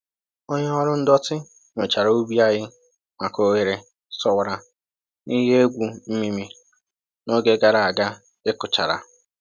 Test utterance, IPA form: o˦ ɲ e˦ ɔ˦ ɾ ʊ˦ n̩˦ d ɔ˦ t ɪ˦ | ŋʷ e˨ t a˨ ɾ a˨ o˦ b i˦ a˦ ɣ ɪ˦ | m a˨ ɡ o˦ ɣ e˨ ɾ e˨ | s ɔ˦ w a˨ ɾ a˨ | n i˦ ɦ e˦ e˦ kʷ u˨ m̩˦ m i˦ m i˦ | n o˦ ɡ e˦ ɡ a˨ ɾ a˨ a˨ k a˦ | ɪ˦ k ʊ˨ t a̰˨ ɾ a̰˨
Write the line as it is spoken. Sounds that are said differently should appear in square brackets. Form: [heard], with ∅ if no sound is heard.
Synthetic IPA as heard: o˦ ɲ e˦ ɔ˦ ɾ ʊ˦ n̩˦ d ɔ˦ t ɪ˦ | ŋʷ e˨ [t͡ʃ] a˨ ɾ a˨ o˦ b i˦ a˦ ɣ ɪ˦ | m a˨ [k] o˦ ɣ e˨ ɾ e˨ | s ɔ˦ w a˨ ɾ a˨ | n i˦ ɦ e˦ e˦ [ɡʷ] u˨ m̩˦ m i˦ m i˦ | n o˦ ɡ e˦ ɡ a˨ ɾ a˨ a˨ [ɡ] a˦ | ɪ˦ k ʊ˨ [t͡ʃ] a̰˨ ɾ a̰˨

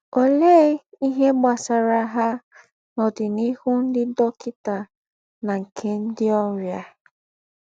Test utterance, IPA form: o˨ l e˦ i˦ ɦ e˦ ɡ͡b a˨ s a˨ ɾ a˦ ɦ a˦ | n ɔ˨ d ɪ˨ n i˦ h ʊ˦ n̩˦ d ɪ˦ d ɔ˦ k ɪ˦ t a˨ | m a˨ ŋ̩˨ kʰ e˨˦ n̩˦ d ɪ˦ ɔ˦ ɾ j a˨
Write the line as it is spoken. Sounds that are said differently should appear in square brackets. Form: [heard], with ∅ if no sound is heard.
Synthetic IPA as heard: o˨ l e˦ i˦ ɦ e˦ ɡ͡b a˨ s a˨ ɾ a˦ ɦ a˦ | n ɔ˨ d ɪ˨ n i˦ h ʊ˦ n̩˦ d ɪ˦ d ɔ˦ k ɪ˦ t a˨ | [n] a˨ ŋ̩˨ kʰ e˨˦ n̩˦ d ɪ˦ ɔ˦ ɾ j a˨

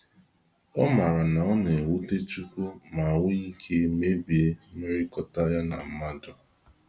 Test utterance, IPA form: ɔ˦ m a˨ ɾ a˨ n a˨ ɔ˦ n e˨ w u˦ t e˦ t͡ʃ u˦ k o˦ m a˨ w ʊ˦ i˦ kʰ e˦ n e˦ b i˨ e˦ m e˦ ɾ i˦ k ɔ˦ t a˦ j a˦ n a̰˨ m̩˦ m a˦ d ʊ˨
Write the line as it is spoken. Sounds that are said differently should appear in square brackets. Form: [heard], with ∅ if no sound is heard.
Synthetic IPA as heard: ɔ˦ m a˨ ɾ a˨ n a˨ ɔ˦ n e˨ w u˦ t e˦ t͡ʃ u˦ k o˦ m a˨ w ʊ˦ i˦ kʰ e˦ [m] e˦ b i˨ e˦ m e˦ ɾ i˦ k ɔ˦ t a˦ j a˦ n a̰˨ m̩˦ m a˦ d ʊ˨

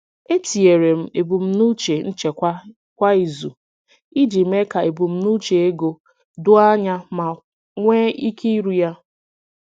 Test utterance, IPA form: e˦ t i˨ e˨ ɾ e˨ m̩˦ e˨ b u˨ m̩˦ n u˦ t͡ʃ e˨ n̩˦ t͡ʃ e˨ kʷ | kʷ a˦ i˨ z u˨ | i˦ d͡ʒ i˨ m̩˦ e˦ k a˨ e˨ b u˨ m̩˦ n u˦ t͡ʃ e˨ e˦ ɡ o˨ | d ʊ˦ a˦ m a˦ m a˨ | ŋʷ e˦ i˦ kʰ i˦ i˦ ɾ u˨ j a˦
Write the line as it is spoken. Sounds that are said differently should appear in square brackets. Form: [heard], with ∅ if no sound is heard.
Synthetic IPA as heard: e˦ t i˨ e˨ ɾ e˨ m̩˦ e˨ b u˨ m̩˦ n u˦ t͡ʃ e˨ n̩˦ t͡ʃ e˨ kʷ | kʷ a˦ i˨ z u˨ | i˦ d͡ʒ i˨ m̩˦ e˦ k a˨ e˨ b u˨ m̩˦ n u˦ t͡ʃ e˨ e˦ ɡ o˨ | d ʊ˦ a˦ [ɲ] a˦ m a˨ | ŋʷ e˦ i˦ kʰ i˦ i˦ ɾ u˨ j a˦

